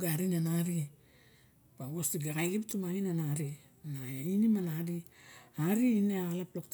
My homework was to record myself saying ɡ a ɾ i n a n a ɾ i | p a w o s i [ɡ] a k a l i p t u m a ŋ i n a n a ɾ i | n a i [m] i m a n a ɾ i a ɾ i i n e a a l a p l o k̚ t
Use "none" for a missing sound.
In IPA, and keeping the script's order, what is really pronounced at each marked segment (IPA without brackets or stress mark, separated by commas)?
ɡ, n